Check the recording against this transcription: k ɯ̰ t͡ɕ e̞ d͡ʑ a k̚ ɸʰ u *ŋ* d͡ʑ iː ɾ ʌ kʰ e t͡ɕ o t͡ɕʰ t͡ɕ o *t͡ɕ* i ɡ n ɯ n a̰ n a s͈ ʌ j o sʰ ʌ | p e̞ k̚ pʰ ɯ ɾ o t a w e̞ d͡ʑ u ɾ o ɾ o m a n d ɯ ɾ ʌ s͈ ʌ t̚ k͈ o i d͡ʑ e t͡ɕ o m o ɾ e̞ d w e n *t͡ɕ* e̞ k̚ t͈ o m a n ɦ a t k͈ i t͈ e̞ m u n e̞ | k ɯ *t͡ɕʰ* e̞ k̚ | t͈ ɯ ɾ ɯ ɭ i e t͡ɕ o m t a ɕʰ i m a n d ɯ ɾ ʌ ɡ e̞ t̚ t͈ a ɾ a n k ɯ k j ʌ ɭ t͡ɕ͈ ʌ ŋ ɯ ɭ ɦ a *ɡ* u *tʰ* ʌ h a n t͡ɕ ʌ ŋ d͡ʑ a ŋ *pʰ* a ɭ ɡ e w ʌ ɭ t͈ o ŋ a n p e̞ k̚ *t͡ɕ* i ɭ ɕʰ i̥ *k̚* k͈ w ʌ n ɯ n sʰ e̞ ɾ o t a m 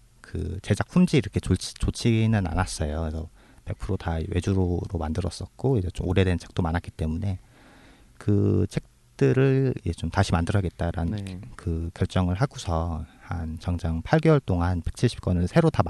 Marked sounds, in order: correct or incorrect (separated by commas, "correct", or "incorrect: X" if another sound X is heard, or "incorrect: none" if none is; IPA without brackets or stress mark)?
incorrect: m, incorrect: t͡ɕʰ, incorrect: t͡ɕʰ, correct, correct, incorrect: sʰ, correct, incorrect: t͡ɕʰ, incorrect: p̚